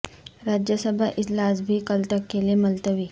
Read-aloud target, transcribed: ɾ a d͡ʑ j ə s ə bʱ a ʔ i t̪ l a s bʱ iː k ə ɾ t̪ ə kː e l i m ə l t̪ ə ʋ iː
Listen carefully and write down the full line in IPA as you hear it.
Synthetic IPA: ɾ a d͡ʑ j ə s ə bʱ a ʔ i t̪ l a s bʱ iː k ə l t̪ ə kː e l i m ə l t̪ ə ʋ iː